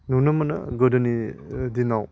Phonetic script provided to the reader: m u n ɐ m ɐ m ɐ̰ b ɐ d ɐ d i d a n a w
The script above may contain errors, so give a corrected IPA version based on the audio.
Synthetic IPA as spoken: n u n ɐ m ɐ n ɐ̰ ɡ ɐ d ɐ n i d i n a w

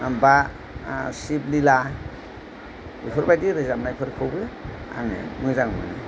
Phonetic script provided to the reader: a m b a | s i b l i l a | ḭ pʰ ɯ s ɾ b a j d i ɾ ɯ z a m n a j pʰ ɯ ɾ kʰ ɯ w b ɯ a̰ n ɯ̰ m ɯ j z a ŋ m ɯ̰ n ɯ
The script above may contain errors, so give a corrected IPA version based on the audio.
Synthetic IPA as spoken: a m b a | s i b l i l a | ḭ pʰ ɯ ɾ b a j d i ɾ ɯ z a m n a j pʰ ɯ ɾ kʰ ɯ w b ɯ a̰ ŋ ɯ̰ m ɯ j z a ŋ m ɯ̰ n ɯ

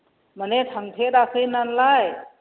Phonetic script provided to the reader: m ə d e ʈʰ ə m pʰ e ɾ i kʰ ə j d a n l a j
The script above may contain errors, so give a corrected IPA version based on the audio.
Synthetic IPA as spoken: m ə n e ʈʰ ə ŋ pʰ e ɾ a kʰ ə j n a n l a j

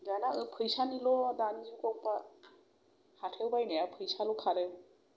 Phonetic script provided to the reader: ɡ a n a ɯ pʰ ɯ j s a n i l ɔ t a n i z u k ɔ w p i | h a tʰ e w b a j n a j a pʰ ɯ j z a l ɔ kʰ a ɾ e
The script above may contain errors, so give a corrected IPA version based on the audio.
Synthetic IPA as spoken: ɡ a n a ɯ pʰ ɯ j s a n i l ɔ d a n i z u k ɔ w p a | h a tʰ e w b a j n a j a pʰ ɯ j s a l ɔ kʰ a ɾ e

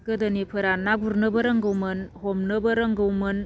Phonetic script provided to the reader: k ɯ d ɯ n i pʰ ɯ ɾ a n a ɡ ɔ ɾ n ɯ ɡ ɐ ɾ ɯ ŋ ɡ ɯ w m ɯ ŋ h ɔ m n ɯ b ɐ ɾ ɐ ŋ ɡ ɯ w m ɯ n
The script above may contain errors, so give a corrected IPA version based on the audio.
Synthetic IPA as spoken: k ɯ d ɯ n i pʰ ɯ ɾ a n a ɡ u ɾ n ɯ b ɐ ɾ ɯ ŋ ɡ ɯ w m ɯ n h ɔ m n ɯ b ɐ ɾ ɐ ŋ ɡ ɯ w m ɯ n

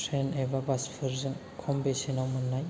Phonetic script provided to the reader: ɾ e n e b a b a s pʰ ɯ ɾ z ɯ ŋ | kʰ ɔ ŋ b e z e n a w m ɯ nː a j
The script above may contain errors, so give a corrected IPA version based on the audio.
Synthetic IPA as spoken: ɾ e n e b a b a s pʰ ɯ ɾ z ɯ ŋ | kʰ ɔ m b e s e n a w m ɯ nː a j

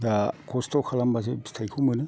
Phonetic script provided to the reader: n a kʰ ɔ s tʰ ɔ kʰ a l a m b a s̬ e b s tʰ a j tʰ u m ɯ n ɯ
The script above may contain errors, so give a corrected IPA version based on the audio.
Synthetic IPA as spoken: d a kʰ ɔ s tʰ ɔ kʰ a l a m b a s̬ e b s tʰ a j kʰ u m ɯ n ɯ

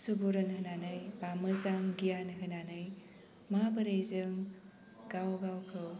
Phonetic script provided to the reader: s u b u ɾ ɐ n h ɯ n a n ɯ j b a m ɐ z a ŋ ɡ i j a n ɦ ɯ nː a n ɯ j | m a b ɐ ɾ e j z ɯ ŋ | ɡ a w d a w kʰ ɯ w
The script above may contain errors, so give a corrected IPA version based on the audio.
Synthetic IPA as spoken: s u b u ɾ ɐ n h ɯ n a n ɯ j b a m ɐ z a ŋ ɡ i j a n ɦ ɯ n a n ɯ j | m a b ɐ ɾ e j z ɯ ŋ | ɡ a w ɡ a w kʰ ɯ w

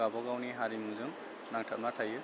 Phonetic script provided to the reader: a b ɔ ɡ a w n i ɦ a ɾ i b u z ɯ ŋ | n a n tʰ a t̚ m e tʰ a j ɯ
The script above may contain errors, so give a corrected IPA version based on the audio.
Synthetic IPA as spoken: a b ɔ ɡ a w n i ɦ a ɾ i m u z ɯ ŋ | n a ŋ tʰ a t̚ m a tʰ a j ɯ

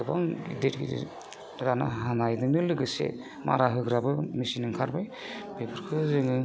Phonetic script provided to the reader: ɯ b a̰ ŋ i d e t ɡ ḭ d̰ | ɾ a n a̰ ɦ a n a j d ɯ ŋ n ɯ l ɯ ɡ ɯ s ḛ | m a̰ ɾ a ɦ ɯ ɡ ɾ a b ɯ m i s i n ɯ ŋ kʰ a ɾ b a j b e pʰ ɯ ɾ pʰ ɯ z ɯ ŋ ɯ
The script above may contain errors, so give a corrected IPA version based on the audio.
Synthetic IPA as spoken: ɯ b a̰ ŋ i d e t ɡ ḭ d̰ | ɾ a n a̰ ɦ a n a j d ɯ ŋ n ɯ l ɯ ɡ ɯ s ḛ | m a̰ ɾ a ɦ ɯ ɡ ɾ a b ɯ m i s i n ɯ ŋ kʰ a ɾ b a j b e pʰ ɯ ɾ kʰ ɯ z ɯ ŋ ɯ

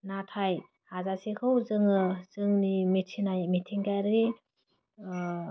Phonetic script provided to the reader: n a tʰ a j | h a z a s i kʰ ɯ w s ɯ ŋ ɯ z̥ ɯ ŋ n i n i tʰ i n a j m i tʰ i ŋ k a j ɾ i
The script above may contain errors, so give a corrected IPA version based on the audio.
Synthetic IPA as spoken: n a tʰ a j | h a z a s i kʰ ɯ w z ɯ ŋ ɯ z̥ ɯ ŋ n i m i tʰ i n a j m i tʰ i ŋ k a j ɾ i

